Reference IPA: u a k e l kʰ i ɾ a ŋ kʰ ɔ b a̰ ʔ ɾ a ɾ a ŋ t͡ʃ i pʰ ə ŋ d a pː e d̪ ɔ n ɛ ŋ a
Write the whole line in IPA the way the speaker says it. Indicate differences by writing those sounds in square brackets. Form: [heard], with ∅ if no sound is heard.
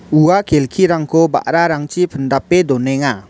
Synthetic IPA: u a k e l kʰ i ɾ a ŋ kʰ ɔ b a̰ ʔ ɾ a ɾ a ŋ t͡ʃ i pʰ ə [n] d a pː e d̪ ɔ n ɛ ŋ a